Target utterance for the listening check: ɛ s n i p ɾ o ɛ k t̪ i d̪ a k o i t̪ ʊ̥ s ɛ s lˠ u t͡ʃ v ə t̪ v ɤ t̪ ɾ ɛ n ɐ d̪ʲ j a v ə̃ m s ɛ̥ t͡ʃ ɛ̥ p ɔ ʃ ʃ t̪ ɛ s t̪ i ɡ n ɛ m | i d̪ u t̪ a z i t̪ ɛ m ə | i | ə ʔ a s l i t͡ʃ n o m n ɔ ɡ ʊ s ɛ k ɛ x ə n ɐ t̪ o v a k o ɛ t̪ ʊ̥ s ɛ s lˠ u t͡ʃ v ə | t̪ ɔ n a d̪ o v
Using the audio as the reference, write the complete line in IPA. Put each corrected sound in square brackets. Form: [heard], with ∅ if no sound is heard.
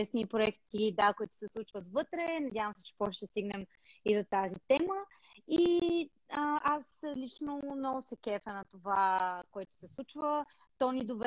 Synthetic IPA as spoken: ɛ s n i p ɾ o ɛ k t̪ i d̪ a k o i t̪ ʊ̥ s ɛ s lˠ u t͡ʃ v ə t̪ v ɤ t̪ ɾ ɛ n ɐ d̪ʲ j a v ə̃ m s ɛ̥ t͡ʃ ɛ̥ p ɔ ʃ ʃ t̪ ɛ s t̪ i ɡ n ɛ m | i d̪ [o] t̪ a z i t̪ ɛ m ə | i | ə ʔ a s l i t͡ʃ n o m n ɔ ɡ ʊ s ɛ k ɛ [f] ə n ɐ t̪ o v a k o ɛ t̪ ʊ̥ s ɛ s lˠ u t͡ʃ v ə | t̪ ɔ n [i] d̪ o v